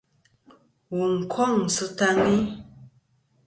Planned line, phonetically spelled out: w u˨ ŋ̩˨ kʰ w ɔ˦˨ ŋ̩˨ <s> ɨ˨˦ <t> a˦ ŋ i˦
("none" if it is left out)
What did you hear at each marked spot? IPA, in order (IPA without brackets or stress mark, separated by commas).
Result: s, t